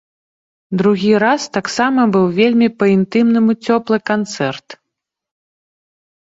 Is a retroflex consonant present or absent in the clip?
absent